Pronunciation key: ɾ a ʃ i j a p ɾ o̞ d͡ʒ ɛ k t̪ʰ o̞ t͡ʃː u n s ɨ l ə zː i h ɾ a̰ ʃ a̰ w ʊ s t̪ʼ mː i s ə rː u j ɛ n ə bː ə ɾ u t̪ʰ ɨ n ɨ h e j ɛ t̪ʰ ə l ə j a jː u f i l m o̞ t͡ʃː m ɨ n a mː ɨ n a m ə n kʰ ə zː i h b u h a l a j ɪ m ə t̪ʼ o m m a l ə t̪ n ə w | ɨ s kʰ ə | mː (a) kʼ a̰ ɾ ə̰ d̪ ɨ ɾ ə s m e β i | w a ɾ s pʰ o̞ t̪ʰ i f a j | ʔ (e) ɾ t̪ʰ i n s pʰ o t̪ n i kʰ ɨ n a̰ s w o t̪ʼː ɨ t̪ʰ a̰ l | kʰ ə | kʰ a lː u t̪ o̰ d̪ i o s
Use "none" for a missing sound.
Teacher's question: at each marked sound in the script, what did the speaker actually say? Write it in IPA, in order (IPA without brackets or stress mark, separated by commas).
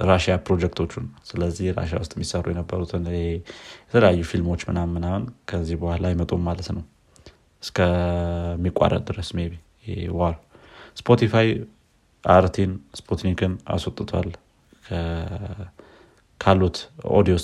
i, a